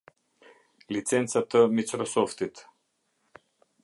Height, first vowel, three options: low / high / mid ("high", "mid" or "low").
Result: high